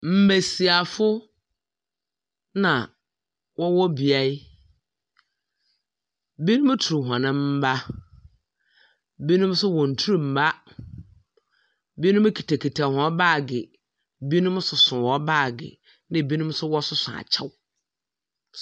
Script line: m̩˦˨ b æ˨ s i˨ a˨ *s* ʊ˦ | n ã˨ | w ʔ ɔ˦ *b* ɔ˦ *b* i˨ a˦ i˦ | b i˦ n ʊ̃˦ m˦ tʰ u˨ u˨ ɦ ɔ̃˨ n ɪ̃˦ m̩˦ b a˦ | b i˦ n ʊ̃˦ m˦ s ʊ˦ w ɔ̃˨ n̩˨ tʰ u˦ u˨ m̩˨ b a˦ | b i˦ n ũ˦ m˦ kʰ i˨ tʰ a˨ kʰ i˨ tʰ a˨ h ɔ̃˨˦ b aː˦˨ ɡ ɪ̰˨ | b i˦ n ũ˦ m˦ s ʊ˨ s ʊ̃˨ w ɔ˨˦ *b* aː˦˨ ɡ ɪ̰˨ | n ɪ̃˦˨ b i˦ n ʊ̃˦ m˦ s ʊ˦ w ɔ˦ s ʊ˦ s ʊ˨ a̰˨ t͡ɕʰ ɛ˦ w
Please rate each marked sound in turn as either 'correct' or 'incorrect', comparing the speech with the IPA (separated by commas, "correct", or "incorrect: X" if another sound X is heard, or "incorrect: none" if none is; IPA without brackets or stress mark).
incorrect: f, incorrect: w, correct, correct